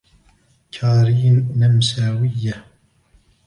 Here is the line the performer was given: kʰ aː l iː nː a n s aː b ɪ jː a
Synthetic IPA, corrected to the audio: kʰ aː ɾ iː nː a m s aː w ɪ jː a